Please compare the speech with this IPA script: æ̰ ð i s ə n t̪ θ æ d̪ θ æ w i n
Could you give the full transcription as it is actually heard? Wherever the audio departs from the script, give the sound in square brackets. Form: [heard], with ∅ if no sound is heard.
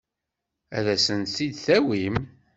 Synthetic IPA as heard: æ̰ ð [æ] s ə n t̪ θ [i] d̪ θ æ w i [m]